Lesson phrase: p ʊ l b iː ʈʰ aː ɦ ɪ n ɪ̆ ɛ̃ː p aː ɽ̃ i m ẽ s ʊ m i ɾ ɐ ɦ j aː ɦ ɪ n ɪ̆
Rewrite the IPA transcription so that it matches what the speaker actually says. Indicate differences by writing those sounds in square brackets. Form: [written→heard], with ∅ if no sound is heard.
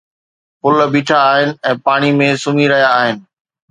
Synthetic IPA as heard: p ʊ l b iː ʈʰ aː ɦ ɪ n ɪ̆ ɛ̃ː p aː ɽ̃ i m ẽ s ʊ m i ɾ ɐ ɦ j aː ɦ ɪ n ɪ̆